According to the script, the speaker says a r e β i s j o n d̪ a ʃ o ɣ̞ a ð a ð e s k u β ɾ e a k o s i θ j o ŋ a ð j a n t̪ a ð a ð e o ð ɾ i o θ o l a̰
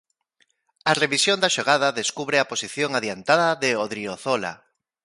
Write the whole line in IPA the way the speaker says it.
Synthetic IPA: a r e β i s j o n d̪ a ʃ o ɣ̞ a ð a ð e s k u β ɾ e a p o s i θ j o ŋ a ð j a n t̪ a ð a ð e o ð ɾ i o θ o l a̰